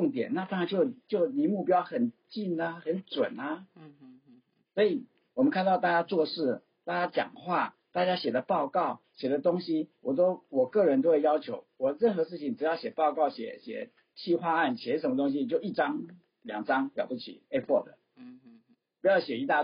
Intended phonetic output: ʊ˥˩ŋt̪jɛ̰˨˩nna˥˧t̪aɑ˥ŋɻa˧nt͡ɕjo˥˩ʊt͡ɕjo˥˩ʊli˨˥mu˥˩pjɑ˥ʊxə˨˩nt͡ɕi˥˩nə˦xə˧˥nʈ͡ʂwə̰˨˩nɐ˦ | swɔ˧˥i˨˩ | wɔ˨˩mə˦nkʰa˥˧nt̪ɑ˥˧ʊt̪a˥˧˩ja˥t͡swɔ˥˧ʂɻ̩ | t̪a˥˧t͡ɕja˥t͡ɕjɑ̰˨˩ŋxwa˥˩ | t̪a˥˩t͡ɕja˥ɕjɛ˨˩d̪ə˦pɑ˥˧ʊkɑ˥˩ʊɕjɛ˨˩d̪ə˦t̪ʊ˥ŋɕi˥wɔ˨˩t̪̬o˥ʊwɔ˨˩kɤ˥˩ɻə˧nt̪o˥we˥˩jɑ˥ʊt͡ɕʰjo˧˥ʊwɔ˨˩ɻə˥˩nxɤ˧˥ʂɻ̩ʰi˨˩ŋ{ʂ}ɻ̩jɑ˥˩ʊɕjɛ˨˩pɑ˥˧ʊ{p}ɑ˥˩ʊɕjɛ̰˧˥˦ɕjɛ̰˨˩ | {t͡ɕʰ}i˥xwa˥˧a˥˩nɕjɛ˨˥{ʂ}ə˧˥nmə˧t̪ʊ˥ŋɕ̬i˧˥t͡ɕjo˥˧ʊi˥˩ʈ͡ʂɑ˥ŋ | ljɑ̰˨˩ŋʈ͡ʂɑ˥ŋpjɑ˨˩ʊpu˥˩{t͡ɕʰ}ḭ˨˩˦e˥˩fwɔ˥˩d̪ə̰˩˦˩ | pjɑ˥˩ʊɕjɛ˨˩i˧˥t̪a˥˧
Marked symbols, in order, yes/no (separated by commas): no, no, yes, yes, yes